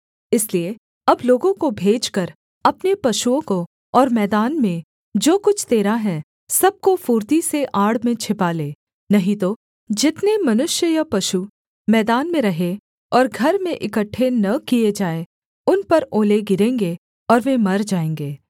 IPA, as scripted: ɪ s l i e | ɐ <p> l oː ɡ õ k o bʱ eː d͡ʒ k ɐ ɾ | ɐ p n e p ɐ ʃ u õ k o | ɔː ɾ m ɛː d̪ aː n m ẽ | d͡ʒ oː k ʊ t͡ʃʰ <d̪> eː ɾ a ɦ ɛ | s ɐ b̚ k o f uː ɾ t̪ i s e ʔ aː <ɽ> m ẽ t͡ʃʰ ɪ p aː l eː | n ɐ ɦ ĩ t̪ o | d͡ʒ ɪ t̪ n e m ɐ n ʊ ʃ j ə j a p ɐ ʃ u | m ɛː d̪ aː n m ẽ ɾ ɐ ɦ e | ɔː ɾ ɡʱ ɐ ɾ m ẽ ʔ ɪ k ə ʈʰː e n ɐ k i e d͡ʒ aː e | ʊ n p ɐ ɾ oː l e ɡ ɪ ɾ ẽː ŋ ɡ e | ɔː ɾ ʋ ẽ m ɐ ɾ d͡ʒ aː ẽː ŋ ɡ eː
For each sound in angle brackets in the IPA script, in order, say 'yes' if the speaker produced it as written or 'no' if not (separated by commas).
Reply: no, no, yes